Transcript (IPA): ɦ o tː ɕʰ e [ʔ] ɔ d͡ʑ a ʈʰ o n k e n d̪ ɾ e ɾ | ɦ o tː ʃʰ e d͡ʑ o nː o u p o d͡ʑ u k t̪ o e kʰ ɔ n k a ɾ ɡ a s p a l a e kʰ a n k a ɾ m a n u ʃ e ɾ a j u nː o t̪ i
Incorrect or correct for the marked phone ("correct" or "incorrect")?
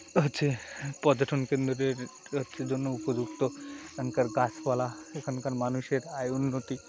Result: incorrect